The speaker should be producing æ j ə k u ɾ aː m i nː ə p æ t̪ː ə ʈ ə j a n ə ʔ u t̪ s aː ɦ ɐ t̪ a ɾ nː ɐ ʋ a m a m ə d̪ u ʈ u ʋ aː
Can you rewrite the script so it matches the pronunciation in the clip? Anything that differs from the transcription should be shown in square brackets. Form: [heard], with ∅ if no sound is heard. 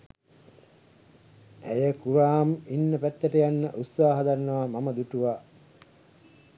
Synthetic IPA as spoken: æ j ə k u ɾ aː m i nː ə p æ t̪ː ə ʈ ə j a [nː] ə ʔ u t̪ s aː ɦ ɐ [d̪] a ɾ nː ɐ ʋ a m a m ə d̪ u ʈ u ʋ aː